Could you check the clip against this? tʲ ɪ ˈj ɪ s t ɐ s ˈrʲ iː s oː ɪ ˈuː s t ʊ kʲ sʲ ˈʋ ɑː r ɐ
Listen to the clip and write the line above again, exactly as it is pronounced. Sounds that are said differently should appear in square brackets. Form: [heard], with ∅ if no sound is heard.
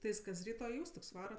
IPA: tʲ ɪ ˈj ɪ s [k] ɐ s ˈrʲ iː [t] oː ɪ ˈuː s t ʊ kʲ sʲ ˈʋ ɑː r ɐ